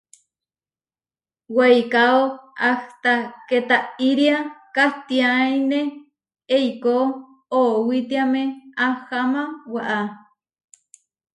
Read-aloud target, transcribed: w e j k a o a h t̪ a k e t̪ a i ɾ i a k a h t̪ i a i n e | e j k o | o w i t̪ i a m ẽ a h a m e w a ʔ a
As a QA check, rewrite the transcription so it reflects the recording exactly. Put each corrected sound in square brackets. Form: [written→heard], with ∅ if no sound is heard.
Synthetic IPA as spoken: w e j k a o a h t̪ a k e t̪ a i ɾ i a k a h t̪ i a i n e | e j k o | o w i t̪ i a m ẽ a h a m [e→a] w a ʔ a